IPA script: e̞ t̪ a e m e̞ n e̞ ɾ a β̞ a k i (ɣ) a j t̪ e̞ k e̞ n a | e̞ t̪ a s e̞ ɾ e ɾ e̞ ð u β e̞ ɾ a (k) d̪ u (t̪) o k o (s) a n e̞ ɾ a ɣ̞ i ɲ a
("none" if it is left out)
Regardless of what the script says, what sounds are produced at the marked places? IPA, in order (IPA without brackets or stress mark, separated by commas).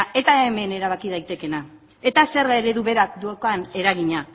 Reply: ð, k, none, none